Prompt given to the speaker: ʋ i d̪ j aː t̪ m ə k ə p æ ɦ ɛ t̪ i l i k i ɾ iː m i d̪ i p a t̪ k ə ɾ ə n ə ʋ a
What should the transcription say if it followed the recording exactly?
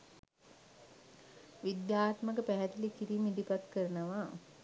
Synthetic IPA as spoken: ʋ i d̪ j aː t̪ m ə k ə p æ ɦ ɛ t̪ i l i k i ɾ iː m i d̪ i p a t̪ k ə ɾ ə n ə ʋ a